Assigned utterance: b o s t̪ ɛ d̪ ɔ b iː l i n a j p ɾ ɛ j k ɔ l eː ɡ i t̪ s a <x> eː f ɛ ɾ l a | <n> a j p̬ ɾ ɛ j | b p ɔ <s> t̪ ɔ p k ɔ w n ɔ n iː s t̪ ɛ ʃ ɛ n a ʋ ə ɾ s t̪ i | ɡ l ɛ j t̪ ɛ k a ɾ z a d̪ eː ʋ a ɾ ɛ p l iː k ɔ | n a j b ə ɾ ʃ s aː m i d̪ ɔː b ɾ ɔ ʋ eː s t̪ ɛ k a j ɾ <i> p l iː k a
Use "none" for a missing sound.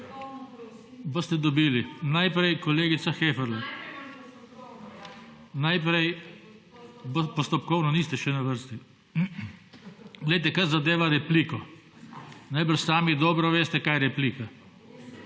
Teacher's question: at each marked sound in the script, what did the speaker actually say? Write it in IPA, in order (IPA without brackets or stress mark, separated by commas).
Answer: x, n, s, ɛ